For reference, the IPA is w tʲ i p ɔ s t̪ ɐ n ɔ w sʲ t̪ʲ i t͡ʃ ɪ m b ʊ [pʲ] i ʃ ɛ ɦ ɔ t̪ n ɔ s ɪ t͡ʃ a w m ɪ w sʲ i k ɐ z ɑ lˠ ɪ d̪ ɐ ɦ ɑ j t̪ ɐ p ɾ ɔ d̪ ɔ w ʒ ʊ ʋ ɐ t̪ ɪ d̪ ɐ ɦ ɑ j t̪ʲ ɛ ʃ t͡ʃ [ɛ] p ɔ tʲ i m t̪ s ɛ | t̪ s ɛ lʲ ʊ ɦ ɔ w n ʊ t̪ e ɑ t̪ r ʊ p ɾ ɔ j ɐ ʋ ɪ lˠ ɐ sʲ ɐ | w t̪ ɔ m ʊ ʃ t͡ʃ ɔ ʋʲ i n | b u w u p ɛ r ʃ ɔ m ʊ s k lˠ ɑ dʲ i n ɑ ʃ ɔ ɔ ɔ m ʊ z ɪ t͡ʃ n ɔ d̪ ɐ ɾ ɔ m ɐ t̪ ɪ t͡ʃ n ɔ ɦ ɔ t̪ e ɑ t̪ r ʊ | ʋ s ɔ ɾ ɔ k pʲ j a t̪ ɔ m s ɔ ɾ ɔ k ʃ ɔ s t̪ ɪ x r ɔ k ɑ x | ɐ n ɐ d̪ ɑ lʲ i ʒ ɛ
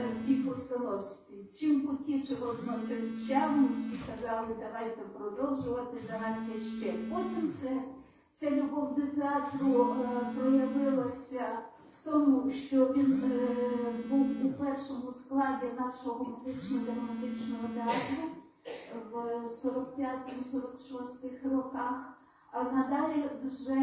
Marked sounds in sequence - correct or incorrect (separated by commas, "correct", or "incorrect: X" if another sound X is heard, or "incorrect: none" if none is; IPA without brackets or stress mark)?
incorrect: tʲ, correct